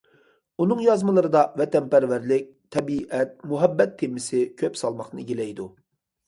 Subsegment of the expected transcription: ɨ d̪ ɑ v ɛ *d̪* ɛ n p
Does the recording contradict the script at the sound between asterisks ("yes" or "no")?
yes